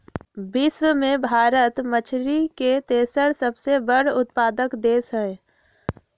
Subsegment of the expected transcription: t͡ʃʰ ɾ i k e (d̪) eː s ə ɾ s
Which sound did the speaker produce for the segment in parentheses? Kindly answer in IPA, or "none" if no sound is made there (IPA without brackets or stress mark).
t̪